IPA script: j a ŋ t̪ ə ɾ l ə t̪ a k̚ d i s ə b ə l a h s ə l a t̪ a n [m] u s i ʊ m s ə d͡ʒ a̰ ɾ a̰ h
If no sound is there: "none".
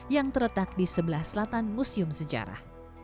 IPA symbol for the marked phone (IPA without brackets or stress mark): m